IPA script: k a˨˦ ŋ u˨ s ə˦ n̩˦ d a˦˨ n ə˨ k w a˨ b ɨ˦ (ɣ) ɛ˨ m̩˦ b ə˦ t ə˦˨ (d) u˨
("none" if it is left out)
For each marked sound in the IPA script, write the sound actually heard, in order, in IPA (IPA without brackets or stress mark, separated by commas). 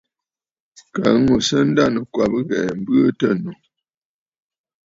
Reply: ɣ, n